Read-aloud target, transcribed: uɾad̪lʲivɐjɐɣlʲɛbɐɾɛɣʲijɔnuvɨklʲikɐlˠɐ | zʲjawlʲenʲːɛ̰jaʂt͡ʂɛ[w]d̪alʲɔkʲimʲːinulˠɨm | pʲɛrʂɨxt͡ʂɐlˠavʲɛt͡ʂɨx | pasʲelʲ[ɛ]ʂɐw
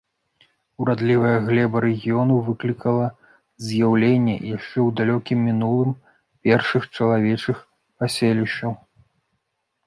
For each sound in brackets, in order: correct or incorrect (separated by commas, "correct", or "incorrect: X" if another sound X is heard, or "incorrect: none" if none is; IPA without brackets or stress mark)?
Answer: correct, incorrect: i